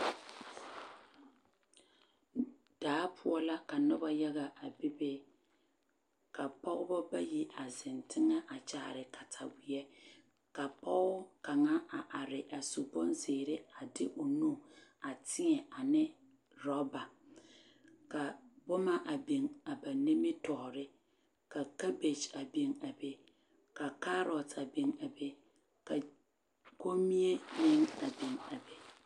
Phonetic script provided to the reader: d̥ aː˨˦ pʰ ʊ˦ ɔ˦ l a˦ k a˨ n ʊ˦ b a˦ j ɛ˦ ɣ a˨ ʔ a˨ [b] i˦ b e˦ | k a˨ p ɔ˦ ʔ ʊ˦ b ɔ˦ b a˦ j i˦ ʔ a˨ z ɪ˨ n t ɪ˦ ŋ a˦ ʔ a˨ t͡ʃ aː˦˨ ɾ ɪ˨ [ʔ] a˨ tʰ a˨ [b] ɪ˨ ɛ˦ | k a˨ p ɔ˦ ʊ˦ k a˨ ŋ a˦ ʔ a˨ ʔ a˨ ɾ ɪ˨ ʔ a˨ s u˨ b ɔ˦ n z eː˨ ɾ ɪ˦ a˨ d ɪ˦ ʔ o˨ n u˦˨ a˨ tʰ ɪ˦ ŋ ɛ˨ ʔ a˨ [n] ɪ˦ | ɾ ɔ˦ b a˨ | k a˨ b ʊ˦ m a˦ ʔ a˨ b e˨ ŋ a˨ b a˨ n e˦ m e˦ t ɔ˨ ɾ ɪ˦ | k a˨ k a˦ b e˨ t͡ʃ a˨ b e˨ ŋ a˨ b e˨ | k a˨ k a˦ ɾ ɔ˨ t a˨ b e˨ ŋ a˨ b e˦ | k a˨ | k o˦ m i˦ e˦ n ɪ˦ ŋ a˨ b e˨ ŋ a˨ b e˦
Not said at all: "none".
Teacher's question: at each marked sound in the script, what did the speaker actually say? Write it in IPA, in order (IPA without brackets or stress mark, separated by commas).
b, k, w, n